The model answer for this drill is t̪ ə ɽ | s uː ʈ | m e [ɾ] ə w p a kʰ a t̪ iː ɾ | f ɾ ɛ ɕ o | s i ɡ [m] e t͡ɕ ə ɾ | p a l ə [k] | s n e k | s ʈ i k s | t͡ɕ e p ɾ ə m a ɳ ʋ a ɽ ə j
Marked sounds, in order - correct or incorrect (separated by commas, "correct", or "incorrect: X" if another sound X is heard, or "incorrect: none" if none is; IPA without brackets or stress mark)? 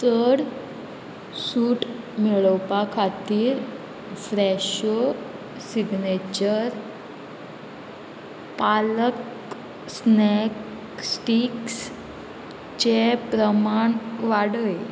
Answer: incorrect: ɭ, incorrect: n, correct